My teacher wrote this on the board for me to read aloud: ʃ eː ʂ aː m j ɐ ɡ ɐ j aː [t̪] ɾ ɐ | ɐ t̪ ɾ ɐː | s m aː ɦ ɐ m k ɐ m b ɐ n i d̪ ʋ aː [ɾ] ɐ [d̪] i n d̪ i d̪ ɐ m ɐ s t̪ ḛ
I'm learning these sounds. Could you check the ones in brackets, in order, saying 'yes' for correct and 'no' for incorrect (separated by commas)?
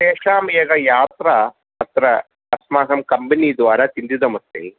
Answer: yes, yes, no